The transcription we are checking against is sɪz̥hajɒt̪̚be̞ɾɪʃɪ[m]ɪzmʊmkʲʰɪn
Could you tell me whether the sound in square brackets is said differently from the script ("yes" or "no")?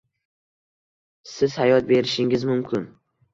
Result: yes